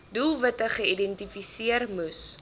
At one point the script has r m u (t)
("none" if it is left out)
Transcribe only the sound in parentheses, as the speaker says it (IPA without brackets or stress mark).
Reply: s